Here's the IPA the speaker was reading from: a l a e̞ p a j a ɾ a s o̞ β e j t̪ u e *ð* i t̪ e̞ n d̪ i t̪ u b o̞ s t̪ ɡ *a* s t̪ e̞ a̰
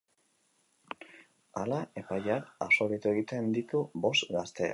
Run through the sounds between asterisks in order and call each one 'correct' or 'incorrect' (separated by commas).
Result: incorrect, correct